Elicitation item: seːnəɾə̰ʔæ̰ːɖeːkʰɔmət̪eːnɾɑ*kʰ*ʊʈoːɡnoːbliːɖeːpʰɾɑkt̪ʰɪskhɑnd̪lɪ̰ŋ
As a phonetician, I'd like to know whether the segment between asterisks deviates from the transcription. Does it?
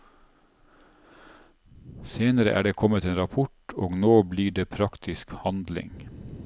yes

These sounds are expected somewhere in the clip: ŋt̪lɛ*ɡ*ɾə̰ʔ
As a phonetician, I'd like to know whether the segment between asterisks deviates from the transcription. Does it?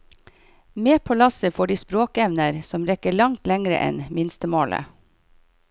yes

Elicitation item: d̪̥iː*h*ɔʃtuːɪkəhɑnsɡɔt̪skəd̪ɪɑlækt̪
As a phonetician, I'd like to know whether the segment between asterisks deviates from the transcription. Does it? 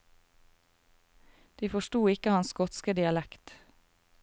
yes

